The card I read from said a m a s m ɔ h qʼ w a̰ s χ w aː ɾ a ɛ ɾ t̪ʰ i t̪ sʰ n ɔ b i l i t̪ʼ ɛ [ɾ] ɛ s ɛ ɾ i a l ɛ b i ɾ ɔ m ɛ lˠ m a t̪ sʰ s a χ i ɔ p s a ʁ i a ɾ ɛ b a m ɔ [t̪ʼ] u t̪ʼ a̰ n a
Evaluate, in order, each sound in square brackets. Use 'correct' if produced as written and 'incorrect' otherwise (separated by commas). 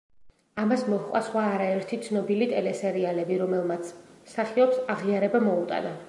incorrect, incorrect